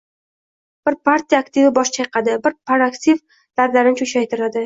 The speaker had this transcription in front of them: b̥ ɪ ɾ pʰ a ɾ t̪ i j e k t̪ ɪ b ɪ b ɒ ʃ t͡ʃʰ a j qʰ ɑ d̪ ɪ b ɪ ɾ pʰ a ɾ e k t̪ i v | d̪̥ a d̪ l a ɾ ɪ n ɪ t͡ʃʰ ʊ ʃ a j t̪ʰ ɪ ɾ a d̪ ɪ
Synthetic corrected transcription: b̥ ɪ ɾ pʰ a ɾ t̪ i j a k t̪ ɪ v ɪ b ɒ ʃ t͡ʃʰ a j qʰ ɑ d̪ ɪ b ɪ ɾ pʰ a ɾ a k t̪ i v | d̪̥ a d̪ l a ɾ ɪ n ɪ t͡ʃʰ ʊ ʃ a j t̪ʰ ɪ ɾ a d̪ ɪ